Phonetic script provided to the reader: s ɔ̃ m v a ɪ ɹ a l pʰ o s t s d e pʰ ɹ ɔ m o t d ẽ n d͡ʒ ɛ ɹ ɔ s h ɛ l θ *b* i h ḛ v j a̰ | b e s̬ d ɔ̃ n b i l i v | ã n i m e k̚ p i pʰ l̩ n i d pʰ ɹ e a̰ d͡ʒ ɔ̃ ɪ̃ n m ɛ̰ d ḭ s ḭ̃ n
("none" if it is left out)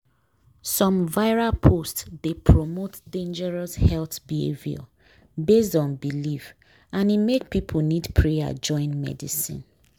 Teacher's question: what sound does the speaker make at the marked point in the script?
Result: b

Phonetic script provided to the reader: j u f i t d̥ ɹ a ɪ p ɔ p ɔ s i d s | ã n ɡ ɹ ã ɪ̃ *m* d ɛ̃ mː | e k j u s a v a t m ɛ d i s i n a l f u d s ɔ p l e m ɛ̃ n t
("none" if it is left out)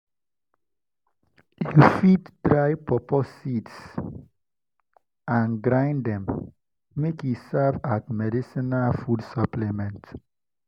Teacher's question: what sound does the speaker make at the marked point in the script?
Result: n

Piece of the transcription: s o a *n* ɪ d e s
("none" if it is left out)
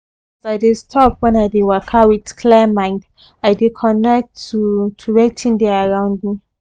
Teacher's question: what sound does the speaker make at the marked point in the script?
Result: none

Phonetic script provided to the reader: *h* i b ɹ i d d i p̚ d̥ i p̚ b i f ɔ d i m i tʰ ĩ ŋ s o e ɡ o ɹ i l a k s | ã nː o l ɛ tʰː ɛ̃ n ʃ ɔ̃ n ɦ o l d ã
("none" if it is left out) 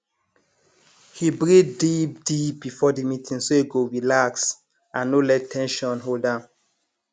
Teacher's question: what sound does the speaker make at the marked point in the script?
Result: h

